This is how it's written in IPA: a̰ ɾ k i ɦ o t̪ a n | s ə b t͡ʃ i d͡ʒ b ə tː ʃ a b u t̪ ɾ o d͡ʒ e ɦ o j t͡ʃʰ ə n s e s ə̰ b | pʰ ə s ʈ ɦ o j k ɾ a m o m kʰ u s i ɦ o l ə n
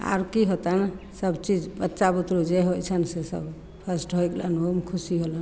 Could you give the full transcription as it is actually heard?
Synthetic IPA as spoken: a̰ ɾ k i ɦ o t̪ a n | s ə b t͡ʃ i d͡ʒ b ə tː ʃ a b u t̪ ɾ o d͡ʒ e ɦ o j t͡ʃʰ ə n s e s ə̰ b | pʰ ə s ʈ ɦ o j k l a n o m kʰ u s i ɦ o l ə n